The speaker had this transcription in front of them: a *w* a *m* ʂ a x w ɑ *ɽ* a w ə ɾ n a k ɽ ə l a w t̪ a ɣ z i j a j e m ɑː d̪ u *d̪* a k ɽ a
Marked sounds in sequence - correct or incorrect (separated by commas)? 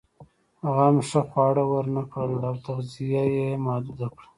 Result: incorrect, correct, correct, correct